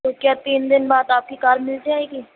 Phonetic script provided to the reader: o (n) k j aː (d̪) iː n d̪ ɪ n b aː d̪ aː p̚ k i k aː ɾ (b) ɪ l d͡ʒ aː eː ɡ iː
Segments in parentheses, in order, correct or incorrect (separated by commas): incorrect, incorrect, incorrect